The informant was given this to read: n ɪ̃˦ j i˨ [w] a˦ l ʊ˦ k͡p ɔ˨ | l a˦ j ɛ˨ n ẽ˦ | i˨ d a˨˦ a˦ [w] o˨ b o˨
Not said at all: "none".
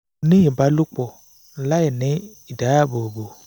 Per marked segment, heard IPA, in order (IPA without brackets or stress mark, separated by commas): b, b